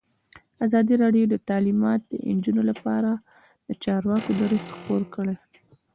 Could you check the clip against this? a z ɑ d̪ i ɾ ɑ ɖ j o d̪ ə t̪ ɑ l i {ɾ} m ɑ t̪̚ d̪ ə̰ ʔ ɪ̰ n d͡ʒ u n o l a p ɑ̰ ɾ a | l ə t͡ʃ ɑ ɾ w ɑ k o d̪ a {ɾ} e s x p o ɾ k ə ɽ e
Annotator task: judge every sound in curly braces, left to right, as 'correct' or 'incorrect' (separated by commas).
incorrect, correct